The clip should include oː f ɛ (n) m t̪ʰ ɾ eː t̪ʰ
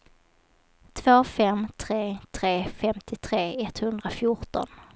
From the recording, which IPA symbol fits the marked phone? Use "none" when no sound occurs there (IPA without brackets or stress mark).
none